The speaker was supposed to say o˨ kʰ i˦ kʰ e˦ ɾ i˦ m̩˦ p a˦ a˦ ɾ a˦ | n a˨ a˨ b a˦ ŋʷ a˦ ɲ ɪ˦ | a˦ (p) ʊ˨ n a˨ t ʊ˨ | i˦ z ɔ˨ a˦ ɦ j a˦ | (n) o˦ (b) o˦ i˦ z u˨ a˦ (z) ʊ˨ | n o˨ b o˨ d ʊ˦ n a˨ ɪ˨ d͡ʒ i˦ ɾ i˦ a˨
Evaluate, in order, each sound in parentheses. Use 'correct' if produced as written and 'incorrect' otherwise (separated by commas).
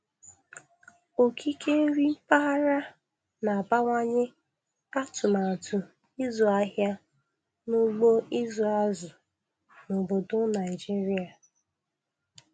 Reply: incorrect, correct, incorrect, correct